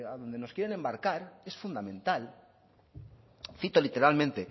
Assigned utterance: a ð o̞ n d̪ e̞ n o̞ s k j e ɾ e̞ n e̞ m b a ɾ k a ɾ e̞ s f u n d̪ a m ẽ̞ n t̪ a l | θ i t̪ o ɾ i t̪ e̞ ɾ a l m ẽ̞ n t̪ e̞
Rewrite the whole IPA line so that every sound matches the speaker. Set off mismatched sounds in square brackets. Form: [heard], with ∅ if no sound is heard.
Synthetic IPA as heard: a ð o̞ n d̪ e̞ n o̞ s k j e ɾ e̞ n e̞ m b a ɾ k a ɾ e̞ s f u n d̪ a m ẽ̞ n t̪ a l | θ i t̪ o [l] i t̪ e̞ ɾ a l m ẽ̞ n t̪ e̞